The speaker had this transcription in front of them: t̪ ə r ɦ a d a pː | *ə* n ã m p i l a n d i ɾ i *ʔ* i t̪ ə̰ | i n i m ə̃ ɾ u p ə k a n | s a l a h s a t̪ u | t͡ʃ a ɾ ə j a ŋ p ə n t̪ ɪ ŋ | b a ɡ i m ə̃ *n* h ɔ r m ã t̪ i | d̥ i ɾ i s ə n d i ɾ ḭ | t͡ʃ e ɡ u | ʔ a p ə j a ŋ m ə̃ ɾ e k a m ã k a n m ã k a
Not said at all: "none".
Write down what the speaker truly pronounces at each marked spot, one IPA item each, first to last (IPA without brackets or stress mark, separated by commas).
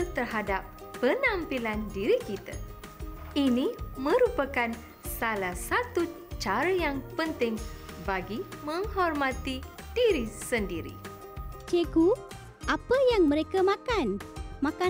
ə, k, ŋ